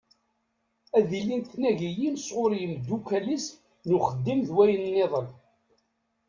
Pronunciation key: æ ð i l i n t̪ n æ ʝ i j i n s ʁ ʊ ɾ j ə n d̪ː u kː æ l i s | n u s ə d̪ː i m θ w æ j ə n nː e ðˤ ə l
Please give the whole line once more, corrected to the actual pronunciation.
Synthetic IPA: æ ð i l i n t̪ n æ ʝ i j i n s ʁ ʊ ɾ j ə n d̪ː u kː æ l i s | n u χ ə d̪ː i m ð w æ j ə n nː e ðˤ ə l